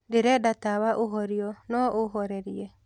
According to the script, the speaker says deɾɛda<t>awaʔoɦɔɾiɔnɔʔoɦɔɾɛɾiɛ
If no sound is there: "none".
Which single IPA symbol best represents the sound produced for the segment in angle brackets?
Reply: t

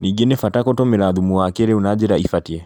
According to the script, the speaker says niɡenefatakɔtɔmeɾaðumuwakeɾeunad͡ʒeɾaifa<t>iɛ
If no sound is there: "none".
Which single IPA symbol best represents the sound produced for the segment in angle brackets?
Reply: t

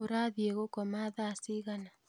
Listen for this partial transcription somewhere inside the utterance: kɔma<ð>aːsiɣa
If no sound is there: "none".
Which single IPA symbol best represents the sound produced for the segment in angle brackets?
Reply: ð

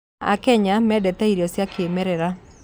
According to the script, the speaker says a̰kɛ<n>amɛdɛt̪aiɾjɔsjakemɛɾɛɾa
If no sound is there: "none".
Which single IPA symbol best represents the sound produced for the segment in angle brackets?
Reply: ɲ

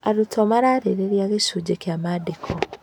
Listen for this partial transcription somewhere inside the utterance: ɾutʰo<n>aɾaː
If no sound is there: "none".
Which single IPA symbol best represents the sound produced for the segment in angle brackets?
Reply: m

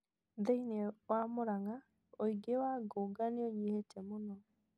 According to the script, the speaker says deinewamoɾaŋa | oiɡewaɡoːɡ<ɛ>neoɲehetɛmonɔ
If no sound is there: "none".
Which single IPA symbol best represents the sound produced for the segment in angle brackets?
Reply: a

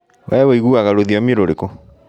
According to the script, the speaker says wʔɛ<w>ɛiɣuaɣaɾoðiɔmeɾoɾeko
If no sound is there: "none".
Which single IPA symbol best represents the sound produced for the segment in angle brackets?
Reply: w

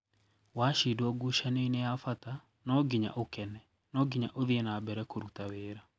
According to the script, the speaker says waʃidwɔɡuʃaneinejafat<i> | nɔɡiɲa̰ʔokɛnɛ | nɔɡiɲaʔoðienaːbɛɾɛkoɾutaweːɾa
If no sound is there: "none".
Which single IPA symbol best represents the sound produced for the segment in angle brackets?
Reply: a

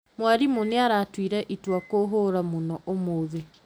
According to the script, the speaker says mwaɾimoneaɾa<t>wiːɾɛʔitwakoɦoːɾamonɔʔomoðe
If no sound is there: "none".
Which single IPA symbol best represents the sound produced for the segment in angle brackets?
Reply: t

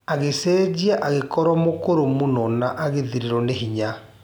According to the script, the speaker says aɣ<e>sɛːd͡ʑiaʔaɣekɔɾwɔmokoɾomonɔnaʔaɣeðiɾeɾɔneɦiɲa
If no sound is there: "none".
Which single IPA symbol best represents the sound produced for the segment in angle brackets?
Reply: e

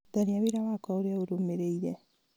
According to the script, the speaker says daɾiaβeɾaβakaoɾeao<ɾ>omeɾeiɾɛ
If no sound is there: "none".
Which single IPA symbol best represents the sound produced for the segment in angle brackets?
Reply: ɾ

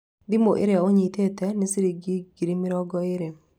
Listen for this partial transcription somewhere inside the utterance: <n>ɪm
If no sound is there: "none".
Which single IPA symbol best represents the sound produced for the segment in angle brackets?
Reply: d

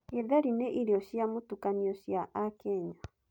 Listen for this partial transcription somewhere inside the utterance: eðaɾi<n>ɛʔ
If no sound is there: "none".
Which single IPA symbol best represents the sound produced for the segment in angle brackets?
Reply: n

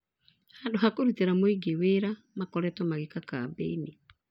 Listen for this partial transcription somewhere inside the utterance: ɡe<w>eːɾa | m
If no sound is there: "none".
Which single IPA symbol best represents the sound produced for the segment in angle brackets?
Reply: w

